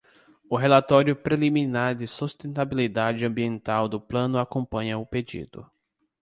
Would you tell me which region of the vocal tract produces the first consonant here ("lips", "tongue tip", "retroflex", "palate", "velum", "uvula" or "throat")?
throat